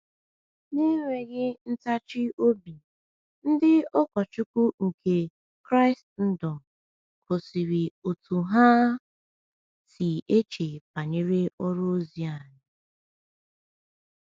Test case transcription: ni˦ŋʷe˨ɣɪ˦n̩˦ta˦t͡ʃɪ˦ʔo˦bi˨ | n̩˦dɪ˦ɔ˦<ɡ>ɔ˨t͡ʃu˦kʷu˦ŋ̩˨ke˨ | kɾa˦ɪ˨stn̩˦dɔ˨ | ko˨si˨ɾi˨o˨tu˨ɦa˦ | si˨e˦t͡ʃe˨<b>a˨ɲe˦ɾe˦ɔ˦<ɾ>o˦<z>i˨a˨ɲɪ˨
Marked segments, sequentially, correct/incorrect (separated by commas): incorrect, incorrect, correct, correct